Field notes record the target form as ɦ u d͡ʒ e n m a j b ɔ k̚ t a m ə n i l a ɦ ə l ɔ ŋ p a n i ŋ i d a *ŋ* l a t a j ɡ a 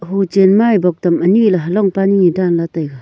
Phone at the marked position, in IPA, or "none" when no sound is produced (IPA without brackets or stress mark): n